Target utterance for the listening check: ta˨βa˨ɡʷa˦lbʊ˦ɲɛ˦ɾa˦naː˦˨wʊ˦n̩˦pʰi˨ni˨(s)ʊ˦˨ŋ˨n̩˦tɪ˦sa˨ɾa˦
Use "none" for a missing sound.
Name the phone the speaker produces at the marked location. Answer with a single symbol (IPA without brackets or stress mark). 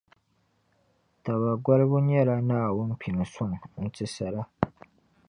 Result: s